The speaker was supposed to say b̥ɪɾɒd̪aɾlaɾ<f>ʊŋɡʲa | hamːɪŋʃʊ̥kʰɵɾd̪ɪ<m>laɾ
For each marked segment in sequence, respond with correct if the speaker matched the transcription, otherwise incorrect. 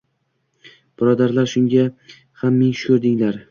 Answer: incorrect, incorrect

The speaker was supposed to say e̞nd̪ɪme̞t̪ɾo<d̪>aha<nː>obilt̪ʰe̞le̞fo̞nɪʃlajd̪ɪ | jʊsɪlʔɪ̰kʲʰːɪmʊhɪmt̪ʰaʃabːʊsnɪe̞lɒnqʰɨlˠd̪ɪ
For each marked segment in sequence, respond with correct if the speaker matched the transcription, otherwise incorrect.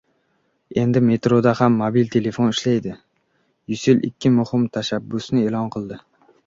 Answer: correct, incorrect

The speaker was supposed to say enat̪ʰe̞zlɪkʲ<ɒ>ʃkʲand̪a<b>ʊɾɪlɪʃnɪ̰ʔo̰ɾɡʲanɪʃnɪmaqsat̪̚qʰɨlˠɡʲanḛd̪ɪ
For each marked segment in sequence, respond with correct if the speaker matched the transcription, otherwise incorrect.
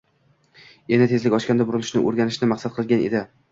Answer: correct, correct

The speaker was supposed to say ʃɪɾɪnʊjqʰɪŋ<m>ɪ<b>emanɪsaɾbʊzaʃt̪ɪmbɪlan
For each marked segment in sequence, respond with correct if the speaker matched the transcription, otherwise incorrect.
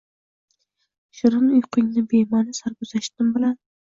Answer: incorrect, correct

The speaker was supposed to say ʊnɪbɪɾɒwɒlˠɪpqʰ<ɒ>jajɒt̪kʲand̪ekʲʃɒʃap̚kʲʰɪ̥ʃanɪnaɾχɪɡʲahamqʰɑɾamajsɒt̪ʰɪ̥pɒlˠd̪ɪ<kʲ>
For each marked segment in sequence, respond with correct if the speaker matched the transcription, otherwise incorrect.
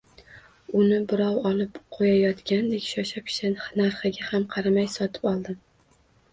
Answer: incorrect, incorrect

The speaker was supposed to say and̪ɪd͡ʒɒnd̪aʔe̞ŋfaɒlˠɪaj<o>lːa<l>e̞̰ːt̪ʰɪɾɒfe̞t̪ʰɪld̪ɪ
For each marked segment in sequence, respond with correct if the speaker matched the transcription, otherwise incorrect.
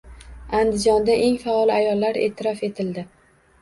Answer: incorrect, incorrect

